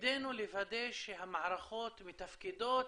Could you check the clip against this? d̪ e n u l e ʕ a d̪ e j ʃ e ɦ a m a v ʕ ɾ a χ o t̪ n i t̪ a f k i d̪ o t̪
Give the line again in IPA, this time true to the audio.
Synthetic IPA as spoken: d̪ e n u l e v a d̪ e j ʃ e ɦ a m a ʕ ɾ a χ o t̪ m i t̪ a f k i d̪ o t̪